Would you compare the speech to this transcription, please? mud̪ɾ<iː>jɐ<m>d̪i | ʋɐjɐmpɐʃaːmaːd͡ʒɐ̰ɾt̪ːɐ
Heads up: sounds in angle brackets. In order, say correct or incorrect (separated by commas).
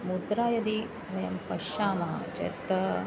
incorrect, incorrect